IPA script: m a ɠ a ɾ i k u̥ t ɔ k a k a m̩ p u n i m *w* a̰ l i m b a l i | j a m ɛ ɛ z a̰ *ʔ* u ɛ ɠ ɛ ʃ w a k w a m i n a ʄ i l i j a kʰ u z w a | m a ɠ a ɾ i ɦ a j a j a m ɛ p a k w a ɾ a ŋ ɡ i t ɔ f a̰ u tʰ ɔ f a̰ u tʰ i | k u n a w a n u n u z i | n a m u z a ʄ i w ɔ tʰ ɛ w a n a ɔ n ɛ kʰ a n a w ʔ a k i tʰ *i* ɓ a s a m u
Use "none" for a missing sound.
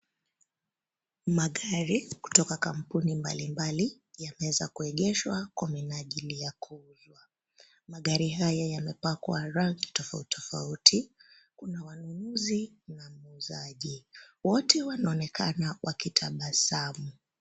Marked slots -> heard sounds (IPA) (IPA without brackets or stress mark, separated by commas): b, k, a